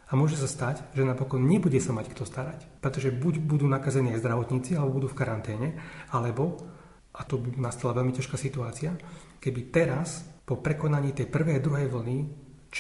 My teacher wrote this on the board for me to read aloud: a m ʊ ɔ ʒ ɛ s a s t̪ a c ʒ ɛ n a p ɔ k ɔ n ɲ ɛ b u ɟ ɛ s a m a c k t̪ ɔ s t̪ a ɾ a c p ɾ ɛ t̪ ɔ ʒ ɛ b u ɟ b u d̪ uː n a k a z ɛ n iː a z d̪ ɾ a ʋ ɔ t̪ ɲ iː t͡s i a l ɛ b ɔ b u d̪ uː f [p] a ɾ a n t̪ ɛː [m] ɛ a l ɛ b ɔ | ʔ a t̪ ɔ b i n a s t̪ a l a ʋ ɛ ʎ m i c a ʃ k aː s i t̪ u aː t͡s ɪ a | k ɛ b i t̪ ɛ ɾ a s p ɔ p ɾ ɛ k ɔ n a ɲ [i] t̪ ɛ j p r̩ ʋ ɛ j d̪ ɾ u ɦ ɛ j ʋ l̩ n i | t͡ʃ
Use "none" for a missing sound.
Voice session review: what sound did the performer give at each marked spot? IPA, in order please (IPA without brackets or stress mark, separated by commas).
k, ɲ, iː